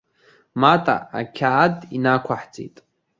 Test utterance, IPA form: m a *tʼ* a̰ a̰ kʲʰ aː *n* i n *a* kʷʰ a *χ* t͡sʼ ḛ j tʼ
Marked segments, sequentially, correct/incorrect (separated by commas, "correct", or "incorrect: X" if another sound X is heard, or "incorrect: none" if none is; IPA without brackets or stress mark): correct, incorrect: d, correct, incorrect: ħ